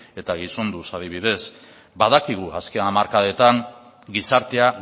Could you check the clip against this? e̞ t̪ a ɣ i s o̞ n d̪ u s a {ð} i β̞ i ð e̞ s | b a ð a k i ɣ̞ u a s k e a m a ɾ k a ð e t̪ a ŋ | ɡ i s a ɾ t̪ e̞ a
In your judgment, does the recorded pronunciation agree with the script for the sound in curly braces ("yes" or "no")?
yes